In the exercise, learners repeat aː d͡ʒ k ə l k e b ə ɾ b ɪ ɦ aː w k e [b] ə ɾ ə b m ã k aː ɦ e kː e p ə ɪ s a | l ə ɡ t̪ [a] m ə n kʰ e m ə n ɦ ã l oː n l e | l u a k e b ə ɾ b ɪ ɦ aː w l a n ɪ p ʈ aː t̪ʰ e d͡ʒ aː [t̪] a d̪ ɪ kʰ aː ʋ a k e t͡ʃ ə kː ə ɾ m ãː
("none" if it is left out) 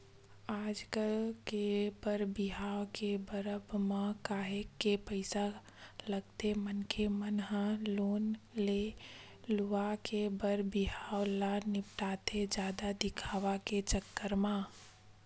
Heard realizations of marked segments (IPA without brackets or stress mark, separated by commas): b, e, d̪